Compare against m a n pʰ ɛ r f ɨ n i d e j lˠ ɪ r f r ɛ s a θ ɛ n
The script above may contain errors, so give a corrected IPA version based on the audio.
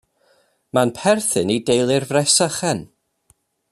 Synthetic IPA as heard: m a n pʰ ɛ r θ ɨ n i d e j lˠ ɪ r v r ɛ s a χ ɛ n